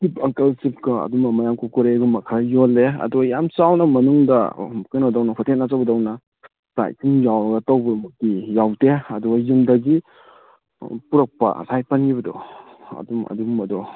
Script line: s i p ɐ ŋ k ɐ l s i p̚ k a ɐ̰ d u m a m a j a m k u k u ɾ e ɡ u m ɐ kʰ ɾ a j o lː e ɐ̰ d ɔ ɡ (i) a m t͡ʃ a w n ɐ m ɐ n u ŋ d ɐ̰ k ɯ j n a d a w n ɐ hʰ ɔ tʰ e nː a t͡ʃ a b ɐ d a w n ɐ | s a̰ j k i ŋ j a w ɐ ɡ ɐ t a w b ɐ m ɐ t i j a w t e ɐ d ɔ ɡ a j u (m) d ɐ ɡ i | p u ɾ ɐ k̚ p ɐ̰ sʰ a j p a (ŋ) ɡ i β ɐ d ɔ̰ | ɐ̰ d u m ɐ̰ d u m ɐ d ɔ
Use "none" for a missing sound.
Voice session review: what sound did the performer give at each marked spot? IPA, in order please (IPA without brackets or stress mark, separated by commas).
j, m, n